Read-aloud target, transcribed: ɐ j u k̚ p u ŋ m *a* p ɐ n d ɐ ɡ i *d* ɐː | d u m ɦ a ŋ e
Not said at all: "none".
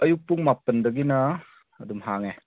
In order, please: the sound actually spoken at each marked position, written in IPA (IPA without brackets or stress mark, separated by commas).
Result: a, n